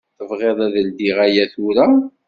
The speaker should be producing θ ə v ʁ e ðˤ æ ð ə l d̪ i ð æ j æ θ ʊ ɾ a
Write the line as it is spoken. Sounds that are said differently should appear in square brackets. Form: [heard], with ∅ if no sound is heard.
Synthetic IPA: θ ə v ʁ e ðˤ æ ð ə l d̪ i [ʁ] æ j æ θ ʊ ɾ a